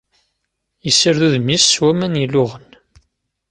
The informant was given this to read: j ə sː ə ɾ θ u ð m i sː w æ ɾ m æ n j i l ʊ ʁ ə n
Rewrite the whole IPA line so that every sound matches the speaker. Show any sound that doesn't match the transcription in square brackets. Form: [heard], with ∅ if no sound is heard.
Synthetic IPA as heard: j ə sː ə ɾ [ð] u ð m i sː w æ [∅] m æ n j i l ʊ ʁ ə n